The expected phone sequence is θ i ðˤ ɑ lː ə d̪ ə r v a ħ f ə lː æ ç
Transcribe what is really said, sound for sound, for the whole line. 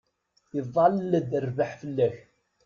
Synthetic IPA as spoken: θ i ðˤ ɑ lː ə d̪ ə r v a ħ f ə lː æ ç

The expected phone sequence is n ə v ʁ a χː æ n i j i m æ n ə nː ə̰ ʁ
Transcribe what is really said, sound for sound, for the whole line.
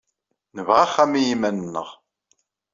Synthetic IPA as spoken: n ə v ʁ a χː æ m i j i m æ n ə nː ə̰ ʁ

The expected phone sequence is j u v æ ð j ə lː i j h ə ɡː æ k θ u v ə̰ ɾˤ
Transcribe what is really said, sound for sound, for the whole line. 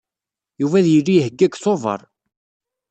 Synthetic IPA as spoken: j u v æ ð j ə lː i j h ə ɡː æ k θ o v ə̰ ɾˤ

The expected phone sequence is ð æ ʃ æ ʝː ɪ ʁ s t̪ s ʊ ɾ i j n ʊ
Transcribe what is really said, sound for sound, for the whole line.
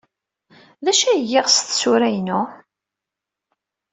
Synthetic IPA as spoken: ð æ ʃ æ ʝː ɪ ʁ s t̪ s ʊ ɾ æ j n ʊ

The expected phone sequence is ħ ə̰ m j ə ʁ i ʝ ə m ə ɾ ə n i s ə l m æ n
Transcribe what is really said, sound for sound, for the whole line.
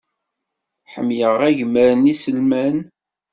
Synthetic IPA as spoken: ħ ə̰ m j ə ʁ æ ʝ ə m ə ɾ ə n i s ə l m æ n

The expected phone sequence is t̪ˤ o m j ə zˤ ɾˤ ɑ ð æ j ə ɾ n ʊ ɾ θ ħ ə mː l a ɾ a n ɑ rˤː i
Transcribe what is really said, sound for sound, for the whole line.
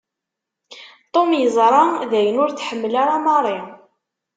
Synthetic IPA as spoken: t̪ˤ o m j ə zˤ ɾˤ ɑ ð æ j ə n ʊ ɾ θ ħ ə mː l a ɾ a m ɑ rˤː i

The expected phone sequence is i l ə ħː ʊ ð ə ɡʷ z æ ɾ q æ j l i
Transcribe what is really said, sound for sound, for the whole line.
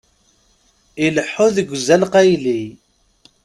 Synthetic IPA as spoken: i l ə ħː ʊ ð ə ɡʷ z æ l q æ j l i

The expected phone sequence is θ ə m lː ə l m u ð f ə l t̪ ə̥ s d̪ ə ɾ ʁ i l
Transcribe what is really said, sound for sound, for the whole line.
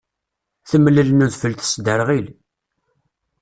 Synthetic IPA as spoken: θ ə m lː ə l n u ð f ə l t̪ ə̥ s d̪ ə ɾ ʁ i l

